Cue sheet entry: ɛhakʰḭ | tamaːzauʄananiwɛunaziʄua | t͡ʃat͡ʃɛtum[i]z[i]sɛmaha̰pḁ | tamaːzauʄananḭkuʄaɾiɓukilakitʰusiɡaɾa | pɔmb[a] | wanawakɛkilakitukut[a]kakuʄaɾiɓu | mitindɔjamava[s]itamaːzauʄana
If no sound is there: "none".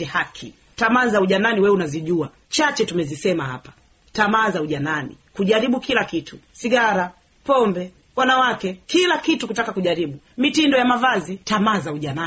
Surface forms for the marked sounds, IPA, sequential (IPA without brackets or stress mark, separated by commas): ɛ, i, ɛ, a, z